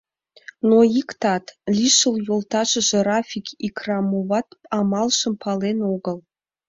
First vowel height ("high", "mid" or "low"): mid